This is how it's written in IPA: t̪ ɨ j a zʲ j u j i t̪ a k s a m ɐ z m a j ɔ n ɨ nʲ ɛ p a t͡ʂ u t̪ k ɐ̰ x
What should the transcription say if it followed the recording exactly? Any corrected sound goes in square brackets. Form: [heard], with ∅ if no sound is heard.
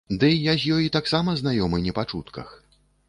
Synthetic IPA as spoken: [d̪] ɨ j a zʲ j [ɔ] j i t̪ a k s a m ɐ z [n] a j ɔ [m] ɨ nʲ ɛ p a t͡ʂ u t̪ k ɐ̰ x